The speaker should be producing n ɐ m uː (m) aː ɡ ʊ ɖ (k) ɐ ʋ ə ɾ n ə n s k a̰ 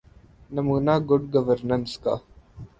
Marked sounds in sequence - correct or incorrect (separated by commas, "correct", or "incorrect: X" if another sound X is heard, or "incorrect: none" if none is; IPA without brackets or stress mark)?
incorrect: n, incorrect: ɡ